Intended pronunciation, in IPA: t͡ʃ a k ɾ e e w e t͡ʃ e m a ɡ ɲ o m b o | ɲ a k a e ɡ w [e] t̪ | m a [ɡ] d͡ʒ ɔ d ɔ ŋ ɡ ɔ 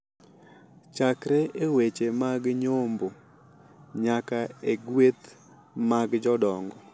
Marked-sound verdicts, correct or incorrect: correct, correct

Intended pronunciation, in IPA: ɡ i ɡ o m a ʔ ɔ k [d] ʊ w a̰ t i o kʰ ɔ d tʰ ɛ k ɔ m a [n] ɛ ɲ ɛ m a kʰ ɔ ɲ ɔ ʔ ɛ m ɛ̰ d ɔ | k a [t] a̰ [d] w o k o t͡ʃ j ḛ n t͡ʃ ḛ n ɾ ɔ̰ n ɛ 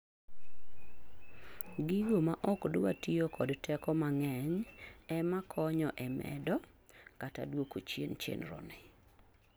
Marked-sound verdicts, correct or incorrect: correct, incorrect, correct, correct

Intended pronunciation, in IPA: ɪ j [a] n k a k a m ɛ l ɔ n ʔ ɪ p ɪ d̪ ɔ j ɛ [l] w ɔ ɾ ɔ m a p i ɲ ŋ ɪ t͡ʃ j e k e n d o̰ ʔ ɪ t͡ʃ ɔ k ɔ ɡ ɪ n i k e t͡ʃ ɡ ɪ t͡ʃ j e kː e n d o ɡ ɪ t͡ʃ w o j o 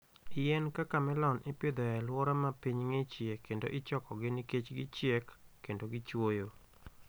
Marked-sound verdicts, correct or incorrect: incorrect, correct

